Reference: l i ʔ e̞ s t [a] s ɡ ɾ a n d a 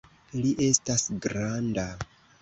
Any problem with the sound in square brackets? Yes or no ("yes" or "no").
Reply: no